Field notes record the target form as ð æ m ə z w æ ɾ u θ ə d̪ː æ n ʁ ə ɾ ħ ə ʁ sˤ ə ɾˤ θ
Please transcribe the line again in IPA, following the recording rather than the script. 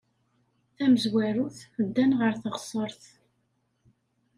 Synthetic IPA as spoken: θ æ m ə z w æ ɾ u θ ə d̪ː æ n ʁ ə ɾ θ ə ʁ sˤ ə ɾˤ θ